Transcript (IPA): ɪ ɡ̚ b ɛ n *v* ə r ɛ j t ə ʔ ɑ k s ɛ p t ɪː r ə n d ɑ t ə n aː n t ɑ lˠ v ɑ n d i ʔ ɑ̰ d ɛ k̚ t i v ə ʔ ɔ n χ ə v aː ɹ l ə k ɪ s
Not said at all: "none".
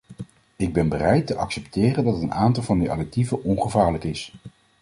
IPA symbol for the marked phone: b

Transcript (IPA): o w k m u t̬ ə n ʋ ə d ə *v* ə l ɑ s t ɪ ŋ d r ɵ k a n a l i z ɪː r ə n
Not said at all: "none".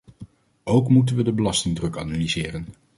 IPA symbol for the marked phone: b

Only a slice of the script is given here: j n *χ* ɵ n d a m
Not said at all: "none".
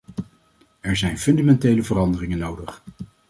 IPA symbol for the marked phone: f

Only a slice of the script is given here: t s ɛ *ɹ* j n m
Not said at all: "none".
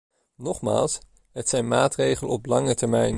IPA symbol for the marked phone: none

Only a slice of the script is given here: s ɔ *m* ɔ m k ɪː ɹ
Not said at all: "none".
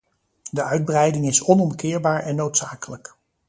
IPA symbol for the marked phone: n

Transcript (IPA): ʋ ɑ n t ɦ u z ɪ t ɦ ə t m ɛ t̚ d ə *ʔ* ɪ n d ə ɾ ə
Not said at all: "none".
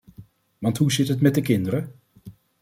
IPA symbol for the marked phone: k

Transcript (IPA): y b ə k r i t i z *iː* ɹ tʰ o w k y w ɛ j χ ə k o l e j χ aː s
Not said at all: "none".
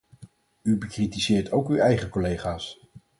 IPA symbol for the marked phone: ɪː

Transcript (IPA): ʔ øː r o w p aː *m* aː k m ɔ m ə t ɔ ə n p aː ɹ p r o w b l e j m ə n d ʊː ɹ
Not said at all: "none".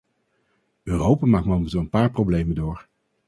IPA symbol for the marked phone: m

